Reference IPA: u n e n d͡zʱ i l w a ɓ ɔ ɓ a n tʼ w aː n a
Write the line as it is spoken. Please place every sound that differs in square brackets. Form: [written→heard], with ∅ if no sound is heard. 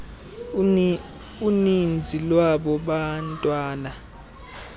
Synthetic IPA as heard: u n [e→i] n d͡zʱ i l w a ɓ ɔ ɓ a n tʼ w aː n a